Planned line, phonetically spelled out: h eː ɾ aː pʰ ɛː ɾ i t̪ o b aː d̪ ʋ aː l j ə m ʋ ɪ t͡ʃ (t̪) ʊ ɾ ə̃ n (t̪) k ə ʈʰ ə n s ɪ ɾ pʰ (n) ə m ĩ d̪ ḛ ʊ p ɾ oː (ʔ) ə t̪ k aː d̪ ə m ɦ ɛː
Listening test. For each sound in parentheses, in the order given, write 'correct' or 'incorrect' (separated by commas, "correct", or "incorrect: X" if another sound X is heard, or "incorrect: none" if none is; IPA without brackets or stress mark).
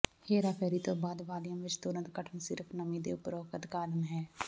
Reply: correct, correct, correct, incorrect: k